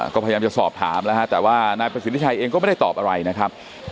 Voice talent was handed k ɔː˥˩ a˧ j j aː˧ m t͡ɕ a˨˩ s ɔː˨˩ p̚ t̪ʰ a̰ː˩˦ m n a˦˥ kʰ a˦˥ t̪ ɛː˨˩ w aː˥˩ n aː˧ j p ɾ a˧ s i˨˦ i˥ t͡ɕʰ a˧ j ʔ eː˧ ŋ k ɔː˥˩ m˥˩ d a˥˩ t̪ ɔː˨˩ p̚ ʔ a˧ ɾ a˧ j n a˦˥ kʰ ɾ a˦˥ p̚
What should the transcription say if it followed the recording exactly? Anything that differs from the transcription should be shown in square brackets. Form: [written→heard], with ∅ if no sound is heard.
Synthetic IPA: k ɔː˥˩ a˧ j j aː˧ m t͡ɕ a˨˩ s ɔː˨˩ p̚ t̪ʰ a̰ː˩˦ m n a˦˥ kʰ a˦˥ t̪ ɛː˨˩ w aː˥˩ n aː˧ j p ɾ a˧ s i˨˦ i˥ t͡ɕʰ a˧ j ʔ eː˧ ŋ k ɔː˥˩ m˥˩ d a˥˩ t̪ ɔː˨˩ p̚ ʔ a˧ ɾ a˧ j n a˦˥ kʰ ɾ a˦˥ p̚